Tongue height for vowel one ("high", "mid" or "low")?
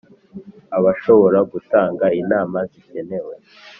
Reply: low